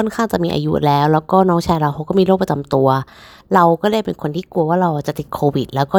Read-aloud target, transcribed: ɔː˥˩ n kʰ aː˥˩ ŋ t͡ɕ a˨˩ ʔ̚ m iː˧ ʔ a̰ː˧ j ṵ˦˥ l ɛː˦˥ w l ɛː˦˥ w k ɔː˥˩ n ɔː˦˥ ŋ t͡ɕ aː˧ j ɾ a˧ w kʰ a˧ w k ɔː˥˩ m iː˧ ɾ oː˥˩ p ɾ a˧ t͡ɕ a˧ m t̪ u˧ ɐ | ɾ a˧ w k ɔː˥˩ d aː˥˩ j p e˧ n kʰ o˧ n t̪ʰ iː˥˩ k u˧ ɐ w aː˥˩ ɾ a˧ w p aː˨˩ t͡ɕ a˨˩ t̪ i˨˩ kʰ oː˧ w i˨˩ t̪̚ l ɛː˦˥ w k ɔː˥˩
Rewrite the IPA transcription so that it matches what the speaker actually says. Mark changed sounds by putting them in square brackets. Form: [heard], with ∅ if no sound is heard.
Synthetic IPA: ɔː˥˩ n kʰ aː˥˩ ŋ t͡ɕ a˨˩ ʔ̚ m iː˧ ʔ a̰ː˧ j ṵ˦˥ l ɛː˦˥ w l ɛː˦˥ w k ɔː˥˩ n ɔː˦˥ ŋ [t͡ɕʰ] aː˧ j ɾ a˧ w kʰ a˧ w k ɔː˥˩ m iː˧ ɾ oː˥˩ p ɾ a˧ t͡ɕ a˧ m t̪ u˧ ɐ | ɾ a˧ w k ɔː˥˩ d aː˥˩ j p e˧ n kʰ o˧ n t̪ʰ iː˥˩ k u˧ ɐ w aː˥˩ ɾ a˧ w [ʔ] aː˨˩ t͡ɕ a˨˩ t̪ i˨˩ kʰ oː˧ w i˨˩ t̪̚ l ɛː˦˥ w k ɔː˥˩